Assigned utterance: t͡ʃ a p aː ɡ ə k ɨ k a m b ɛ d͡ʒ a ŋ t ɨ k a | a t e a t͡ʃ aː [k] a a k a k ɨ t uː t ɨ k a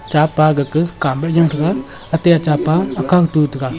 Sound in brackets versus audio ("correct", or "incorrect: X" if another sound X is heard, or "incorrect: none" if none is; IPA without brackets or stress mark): incorrect: p